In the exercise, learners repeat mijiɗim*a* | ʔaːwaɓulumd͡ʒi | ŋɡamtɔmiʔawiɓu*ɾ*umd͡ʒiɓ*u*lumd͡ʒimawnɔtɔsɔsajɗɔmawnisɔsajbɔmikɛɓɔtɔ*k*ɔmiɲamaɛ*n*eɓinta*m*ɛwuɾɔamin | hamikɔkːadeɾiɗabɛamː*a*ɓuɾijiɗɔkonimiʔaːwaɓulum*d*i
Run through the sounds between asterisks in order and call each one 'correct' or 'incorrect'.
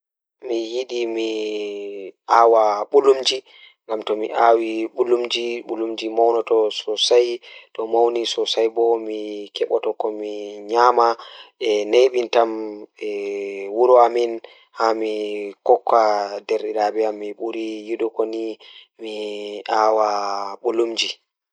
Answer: incorrect: i, incorrect: l, correct, correct, correct, correct, incorrect: i, incorrect: d͡ʒ

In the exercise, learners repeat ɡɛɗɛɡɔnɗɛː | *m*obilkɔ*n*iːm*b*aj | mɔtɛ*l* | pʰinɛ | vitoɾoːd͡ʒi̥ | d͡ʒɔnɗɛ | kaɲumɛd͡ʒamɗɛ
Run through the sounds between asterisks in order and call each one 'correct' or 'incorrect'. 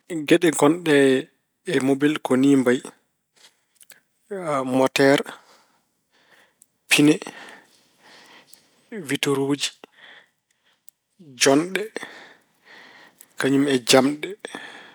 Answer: correct, correct, correct, incorrect: ɾ

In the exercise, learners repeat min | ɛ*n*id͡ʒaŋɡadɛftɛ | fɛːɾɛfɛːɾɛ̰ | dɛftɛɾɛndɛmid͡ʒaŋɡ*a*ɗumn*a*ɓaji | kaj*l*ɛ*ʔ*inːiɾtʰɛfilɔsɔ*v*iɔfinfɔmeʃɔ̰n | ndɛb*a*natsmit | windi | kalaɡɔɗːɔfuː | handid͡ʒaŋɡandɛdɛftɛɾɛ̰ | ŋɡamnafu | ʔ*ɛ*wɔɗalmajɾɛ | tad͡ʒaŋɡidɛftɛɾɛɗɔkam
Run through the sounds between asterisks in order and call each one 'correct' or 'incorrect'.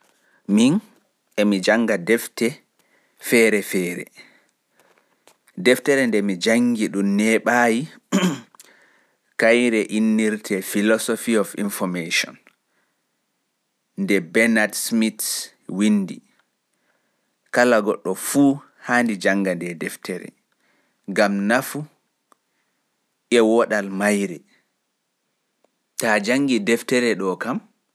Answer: incorrect: m, incorrect: i, incorrect: ɛ, incorrect: ɾ, correct, incorrect: f, incorrect: ɛ, correct

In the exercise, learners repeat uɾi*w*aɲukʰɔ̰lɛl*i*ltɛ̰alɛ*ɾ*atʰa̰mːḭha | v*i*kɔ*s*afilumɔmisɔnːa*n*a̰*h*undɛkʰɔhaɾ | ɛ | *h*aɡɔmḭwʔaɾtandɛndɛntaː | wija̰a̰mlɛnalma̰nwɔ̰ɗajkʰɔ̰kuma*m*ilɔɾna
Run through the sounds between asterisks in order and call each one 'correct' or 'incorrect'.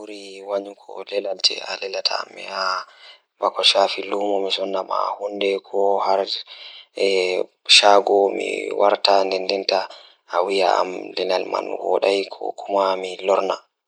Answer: correct, incorrect: a, incorrect: l, incorrect: a, incorrect: ʃ, incorrect: m, correct, incorrect: ʃ, correct

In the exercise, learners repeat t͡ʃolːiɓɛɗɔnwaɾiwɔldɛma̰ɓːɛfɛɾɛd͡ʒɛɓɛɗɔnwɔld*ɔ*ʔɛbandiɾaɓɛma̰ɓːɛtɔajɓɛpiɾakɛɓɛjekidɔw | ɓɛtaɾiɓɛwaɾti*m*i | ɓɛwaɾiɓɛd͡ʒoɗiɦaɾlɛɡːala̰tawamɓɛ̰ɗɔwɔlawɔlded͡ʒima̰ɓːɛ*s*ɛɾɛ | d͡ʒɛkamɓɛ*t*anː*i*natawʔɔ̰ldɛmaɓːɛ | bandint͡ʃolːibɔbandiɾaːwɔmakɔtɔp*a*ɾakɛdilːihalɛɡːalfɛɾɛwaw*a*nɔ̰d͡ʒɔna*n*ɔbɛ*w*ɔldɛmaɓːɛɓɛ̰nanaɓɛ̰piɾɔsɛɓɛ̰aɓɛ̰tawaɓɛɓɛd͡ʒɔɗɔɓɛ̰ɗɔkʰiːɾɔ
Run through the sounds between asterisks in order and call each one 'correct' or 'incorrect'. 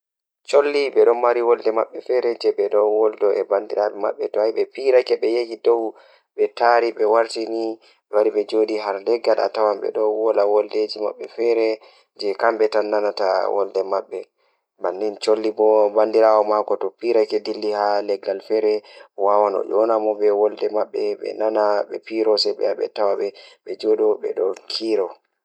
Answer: correct, incorrect: n, incorrect: f, correct, incorrect: a, incorrect: i, correct, incorrect: m, correct

